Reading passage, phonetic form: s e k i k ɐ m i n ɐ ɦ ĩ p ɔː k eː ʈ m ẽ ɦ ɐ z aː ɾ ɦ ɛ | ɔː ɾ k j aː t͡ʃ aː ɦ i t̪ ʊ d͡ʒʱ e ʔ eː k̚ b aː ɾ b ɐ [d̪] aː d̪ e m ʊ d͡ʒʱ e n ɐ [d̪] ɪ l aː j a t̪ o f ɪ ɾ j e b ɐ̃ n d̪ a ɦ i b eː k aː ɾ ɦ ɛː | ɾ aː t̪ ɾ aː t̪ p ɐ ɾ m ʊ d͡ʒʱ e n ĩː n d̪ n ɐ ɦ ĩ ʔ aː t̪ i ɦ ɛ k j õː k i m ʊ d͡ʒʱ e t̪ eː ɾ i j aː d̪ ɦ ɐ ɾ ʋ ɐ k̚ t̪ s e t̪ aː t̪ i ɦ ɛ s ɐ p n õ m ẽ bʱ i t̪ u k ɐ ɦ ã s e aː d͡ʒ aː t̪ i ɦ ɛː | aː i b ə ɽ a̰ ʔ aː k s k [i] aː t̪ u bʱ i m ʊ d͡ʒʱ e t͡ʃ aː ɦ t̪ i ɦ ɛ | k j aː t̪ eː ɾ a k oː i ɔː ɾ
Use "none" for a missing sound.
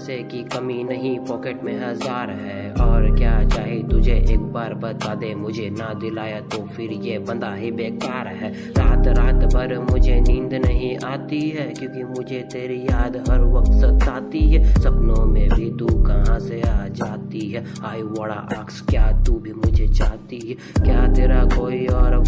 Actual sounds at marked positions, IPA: t̪, d̪, j

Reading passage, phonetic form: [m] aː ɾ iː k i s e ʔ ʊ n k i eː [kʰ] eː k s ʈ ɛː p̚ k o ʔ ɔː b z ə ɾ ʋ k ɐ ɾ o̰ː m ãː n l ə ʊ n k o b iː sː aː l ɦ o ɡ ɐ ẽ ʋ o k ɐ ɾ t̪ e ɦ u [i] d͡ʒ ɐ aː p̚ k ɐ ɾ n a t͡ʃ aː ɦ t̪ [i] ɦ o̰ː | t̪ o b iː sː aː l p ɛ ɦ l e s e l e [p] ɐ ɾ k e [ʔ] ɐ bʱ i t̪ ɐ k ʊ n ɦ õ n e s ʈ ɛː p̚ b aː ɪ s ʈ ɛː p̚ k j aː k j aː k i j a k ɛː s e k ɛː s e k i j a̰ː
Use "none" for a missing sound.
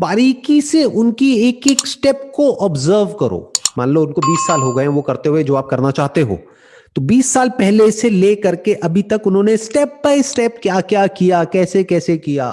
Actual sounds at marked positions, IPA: b, k, e, e, k, ʔ

